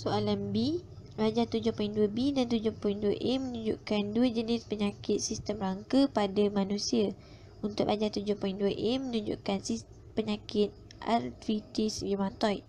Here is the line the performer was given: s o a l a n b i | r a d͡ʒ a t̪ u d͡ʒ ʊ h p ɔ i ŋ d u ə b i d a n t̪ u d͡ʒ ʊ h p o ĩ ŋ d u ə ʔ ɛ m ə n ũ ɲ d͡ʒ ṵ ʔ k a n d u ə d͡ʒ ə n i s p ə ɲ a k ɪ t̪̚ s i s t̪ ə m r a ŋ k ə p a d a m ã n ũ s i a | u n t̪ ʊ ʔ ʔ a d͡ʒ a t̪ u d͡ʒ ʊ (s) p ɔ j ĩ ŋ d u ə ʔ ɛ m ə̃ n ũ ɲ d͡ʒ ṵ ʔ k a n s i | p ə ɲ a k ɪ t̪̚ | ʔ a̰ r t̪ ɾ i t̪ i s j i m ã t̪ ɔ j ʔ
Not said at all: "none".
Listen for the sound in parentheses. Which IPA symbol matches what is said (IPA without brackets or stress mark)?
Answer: h